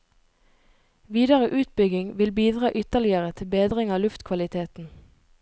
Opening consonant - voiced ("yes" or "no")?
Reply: yes